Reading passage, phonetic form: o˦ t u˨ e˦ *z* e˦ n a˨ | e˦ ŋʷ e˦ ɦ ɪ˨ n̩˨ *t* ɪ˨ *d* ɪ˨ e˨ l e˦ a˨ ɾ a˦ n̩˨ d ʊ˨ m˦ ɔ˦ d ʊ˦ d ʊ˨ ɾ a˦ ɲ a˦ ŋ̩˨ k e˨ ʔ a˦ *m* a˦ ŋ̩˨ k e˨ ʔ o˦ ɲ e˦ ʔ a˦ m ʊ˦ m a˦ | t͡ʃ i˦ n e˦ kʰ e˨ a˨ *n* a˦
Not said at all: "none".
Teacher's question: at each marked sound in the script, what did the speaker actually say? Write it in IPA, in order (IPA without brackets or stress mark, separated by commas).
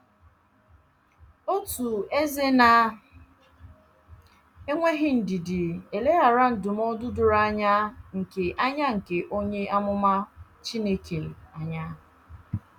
z, d, d, ɲ, ɲ